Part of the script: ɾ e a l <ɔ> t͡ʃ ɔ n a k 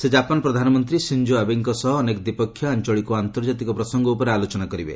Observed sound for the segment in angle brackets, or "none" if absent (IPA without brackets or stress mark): o